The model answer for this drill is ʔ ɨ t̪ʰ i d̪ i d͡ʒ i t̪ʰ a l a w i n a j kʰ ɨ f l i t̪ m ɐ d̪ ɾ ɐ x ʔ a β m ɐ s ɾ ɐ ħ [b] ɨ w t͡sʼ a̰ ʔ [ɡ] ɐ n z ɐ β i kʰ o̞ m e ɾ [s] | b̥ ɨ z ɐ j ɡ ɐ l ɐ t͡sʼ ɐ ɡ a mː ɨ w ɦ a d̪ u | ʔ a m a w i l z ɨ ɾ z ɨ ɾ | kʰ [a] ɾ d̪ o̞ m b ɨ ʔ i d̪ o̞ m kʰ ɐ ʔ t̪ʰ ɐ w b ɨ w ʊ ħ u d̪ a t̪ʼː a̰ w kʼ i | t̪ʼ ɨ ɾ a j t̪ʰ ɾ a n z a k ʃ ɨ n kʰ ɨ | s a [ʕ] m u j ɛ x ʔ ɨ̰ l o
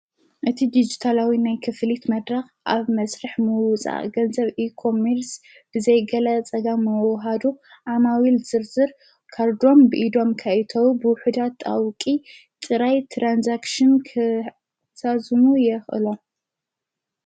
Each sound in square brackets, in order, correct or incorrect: incorrect: m, correct, correct, correct, incorrect: z

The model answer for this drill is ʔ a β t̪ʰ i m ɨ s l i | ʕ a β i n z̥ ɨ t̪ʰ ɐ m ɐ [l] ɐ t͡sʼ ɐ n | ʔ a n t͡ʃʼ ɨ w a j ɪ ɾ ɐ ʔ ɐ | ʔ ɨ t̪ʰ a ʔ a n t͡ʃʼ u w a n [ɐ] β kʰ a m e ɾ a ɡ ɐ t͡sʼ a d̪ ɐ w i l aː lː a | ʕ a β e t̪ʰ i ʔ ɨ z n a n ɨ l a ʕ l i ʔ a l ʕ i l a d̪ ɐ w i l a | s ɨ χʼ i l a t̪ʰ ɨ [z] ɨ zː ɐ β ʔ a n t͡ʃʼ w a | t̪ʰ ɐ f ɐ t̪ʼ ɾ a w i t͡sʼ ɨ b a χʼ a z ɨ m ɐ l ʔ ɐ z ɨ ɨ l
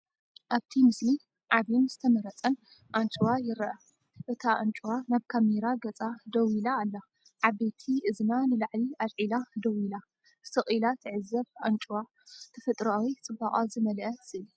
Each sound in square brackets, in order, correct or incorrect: incorrect: ɾ, incorrect: a, incorrect: ʕ

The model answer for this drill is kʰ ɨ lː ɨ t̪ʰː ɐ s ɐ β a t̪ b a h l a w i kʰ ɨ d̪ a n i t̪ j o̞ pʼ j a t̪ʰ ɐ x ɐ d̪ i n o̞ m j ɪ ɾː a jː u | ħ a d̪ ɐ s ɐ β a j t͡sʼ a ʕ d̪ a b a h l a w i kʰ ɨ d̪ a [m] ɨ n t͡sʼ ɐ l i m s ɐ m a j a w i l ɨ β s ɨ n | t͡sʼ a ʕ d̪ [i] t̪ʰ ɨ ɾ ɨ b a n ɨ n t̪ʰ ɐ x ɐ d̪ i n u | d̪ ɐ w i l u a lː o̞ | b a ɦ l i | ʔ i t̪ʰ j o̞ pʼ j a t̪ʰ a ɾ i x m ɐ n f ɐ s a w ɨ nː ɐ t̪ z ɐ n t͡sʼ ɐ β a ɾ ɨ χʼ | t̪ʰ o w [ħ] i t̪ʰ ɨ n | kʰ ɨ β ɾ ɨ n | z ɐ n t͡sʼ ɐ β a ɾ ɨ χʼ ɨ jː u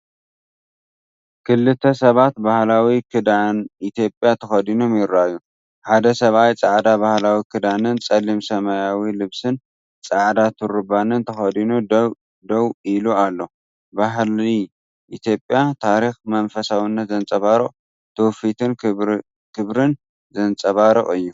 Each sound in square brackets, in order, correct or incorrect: incorrect: n, incorrect: a, incorrect: f

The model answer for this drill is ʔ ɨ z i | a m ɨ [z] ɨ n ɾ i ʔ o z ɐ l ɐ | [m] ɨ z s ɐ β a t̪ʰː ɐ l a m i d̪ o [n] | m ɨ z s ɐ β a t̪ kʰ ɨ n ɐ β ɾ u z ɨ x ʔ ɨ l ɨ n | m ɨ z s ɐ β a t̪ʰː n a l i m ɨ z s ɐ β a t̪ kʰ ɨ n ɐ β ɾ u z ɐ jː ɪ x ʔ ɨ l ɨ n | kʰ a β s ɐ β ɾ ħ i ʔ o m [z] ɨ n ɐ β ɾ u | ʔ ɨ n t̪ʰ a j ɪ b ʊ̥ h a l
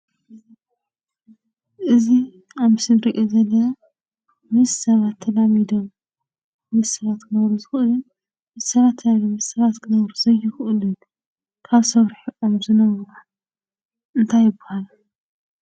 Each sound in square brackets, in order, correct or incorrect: incorrect: s, correct, incorrect: m, correct

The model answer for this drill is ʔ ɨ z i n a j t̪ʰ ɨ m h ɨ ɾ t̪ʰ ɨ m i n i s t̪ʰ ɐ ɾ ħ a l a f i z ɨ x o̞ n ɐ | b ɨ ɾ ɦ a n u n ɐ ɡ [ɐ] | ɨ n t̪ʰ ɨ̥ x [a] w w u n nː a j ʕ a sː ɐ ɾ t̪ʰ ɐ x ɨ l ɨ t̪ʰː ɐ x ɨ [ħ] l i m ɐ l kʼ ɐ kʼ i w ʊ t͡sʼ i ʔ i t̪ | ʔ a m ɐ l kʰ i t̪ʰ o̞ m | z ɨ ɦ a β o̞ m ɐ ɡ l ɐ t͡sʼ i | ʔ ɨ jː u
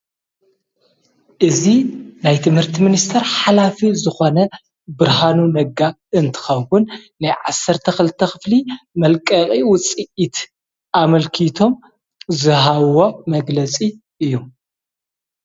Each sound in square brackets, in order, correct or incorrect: incorrect: a, incorrect: ɐ, incorrect: f

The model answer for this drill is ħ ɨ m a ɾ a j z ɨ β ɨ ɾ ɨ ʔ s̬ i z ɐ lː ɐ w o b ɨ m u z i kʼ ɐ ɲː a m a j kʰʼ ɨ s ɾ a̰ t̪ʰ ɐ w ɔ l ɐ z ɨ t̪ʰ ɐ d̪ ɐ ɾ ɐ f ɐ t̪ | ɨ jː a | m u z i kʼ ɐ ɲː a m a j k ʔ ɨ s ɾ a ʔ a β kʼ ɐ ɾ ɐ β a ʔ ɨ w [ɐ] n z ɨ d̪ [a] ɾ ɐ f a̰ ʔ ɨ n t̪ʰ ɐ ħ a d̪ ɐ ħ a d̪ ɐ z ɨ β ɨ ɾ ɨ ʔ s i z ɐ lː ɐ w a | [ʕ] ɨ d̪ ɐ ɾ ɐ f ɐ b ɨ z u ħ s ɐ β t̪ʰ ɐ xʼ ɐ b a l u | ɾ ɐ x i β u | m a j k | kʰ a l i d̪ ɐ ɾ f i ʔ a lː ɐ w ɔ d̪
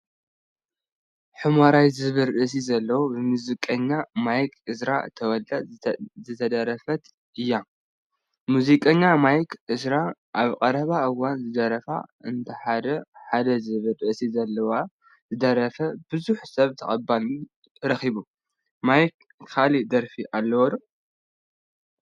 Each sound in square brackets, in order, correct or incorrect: incorrect: a, incorrect: ɐ, incorrect: z

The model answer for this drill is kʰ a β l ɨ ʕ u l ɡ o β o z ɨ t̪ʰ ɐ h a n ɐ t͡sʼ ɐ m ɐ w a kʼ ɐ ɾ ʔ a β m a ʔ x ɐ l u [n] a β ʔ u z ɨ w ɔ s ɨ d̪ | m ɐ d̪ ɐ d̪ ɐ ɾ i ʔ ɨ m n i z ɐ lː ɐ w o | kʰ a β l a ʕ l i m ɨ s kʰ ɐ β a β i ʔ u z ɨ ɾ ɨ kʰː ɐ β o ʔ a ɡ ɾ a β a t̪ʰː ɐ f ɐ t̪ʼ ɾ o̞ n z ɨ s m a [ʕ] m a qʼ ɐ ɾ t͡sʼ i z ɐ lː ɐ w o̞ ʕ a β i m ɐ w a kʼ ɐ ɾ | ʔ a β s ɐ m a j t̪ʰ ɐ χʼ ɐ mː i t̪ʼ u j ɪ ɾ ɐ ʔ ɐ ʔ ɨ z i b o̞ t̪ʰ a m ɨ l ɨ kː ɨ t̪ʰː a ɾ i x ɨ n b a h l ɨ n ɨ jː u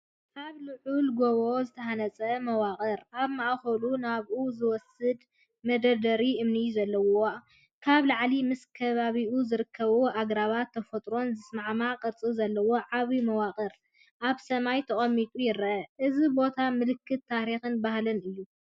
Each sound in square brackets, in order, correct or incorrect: correct, correct

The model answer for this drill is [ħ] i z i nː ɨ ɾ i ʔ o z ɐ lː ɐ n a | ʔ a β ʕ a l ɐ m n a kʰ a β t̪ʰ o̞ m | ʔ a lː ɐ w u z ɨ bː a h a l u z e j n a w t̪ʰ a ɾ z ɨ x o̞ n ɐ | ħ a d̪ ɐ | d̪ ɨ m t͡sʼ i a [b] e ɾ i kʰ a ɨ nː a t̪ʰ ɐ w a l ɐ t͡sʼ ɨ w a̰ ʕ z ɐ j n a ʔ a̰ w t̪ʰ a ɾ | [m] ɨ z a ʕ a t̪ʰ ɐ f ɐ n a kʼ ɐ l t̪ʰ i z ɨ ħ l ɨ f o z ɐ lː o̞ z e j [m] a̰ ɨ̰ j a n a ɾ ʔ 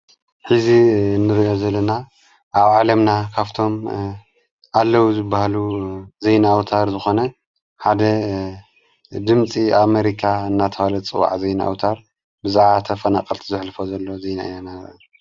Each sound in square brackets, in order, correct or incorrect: correct, incorrect: m, incorrect: b, incorrect: n

